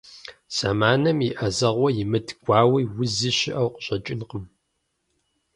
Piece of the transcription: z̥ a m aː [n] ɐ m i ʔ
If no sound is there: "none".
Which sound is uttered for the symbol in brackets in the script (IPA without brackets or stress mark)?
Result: n